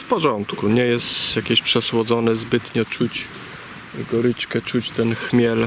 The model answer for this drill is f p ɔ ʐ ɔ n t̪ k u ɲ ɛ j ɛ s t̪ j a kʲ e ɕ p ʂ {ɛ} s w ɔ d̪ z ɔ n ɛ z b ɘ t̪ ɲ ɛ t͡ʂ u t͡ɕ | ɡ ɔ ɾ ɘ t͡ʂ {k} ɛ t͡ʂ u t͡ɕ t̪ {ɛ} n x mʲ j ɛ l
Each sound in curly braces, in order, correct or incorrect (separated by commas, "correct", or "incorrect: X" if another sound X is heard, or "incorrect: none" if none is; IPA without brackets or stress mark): correct, correct, correct